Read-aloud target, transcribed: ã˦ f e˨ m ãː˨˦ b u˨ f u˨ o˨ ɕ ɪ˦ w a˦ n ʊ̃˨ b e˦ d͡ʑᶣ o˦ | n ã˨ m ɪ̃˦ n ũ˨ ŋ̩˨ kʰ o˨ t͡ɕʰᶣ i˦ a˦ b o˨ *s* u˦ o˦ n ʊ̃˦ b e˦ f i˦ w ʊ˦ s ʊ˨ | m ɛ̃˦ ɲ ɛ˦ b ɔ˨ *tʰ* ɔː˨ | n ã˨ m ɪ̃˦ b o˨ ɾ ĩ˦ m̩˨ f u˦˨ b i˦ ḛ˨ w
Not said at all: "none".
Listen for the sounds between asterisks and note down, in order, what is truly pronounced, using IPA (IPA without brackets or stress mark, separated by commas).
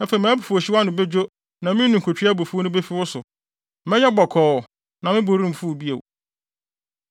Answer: f, kʰ